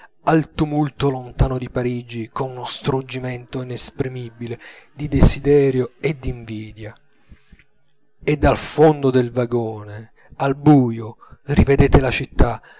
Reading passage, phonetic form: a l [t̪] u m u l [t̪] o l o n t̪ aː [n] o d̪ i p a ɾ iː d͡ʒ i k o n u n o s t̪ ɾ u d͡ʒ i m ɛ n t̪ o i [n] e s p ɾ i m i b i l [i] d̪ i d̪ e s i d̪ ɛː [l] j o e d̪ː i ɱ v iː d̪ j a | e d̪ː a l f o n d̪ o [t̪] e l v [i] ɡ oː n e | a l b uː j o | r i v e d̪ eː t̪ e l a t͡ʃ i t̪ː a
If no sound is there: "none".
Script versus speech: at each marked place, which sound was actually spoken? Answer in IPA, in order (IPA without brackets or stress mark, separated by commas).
t̪, t̪, n, n, e, ɾ, d̪, a